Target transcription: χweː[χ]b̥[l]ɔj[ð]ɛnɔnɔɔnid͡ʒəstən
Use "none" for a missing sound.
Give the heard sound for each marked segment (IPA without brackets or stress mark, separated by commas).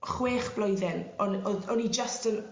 χ, l, ð